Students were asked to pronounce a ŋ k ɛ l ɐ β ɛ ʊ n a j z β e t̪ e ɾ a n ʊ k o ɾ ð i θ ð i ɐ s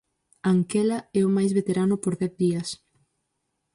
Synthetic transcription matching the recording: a ŋ k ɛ l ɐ ɛ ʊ m a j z β e t̪ e ɾ a n ʊ p o ɾ ð ɛ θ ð i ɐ s